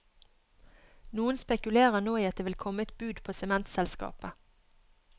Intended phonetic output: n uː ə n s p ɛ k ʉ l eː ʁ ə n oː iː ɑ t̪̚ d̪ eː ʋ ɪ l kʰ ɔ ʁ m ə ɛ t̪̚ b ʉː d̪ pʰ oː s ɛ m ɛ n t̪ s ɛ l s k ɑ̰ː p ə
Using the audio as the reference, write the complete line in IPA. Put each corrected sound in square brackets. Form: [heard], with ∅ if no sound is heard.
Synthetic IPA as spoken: n uː ə n s p ɛ k ʉ l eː ʁ ə n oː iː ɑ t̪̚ d̪ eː ʋ ɪ l kʰ ɔ [∅] m ə ɛ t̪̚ b ʉː d̪ pʰ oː s ɛ m ɛ n t̪ s ɛ l s k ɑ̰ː p ə